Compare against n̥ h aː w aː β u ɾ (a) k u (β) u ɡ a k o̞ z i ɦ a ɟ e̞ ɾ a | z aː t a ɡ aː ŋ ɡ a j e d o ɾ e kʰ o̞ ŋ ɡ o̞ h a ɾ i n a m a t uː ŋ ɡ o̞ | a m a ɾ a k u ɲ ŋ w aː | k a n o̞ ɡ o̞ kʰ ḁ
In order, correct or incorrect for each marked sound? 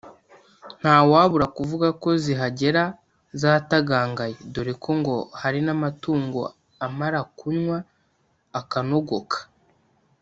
correct, incorrect: v

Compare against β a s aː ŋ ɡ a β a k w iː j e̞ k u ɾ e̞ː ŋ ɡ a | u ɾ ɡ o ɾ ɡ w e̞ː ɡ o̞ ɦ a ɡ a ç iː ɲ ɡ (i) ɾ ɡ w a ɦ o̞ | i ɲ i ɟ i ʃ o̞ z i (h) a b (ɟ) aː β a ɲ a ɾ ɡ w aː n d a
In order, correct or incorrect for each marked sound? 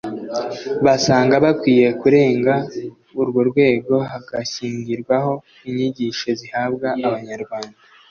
correct, correct, incorrect: ɡ

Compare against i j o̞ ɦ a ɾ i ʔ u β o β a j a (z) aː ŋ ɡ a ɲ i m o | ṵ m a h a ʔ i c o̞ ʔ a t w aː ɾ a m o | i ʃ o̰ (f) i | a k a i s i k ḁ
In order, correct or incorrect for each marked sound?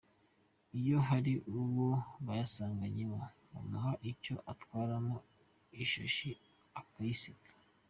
incorrect: s, incorrect: ʃ

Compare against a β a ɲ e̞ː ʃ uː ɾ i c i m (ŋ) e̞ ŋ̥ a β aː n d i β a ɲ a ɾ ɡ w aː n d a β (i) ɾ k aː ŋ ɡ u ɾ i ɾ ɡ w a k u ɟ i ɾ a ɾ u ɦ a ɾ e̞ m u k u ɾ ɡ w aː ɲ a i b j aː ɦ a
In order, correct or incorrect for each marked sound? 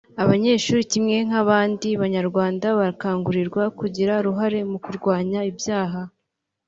correct, incorrect: a

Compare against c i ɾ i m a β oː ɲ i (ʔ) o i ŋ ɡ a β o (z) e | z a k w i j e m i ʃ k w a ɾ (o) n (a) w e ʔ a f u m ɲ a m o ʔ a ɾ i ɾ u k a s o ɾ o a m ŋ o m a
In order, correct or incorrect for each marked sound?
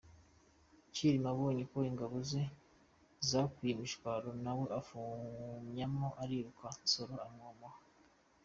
incorrect: k, correct, correct, correct

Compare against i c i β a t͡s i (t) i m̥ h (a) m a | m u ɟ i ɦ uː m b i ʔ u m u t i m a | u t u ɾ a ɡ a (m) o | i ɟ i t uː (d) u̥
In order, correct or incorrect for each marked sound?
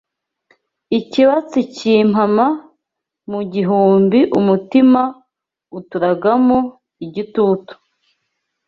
incorrect: c, correct, correct, incorrect: t

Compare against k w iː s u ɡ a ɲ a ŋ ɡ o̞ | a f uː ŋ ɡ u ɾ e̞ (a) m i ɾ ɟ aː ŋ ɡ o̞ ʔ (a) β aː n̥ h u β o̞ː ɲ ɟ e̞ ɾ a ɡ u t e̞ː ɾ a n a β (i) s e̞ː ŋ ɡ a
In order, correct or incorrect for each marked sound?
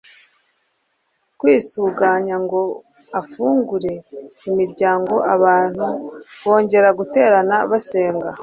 incorrect: i, correct, incorrect: a

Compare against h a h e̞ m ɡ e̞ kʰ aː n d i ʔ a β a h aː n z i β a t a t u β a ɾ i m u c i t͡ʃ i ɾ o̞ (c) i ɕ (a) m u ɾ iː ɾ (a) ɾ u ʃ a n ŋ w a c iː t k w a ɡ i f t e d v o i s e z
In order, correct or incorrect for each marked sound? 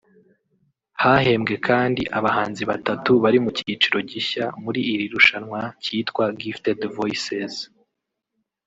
incorrect: ɟ, correct, incorrect: i

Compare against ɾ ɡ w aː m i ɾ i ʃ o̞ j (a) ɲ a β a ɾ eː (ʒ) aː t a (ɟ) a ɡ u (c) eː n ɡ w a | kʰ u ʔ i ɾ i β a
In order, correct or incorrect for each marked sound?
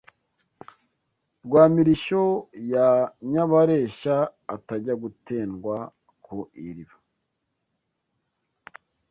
correct, incorrect: ʃ, correct, incorrect: t

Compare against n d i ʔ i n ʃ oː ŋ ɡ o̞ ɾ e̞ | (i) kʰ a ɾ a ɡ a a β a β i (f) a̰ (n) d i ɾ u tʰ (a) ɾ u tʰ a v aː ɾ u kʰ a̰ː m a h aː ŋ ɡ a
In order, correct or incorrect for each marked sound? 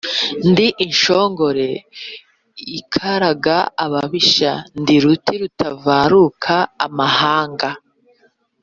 correct, incorrect: ʃ, correct, incorrect: i

